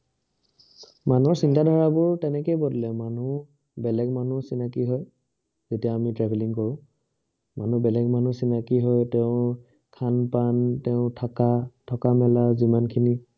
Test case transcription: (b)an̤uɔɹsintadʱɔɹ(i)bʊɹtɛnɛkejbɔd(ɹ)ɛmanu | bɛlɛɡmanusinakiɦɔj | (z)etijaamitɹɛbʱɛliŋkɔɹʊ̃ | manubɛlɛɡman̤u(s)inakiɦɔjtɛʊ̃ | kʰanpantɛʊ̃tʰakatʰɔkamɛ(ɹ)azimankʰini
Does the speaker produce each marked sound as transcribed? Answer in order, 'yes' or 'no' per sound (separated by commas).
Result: no, no, no, yes, yes, no